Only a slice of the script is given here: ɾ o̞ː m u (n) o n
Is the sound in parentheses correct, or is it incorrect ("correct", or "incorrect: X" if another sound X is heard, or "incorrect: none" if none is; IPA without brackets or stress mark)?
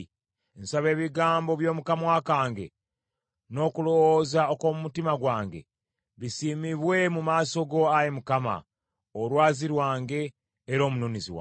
correct